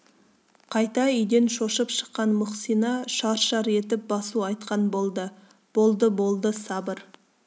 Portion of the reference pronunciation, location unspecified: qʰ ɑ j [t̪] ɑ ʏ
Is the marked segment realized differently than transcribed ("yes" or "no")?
no